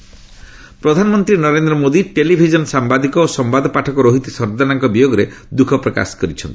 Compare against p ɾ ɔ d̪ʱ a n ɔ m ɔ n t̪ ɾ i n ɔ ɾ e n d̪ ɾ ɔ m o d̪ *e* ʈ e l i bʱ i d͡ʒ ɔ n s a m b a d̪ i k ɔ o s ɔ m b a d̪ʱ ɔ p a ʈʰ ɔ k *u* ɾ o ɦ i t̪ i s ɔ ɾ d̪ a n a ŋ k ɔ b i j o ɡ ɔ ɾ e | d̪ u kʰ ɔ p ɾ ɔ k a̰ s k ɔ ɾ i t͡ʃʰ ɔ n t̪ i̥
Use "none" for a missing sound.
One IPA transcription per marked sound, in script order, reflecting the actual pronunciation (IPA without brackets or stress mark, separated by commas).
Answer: i, ɔ